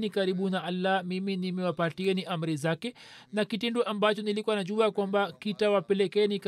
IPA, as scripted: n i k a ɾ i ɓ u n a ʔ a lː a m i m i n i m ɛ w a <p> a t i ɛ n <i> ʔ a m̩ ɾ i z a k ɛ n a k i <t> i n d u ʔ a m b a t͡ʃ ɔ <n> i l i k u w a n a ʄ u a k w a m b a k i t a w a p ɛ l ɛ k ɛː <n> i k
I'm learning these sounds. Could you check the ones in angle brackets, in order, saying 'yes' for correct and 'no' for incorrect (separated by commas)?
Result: yes, yes, yes, yes, yes